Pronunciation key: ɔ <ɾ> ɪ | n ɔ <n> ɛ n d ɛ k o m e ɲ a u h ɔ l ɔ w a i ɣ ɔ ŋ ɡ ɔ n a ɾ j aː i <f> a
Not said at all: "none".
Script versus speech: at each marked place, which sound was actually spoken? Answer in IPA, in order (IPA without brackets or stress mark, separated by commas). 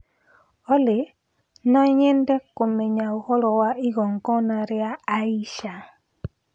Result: l, ɲ, ʃ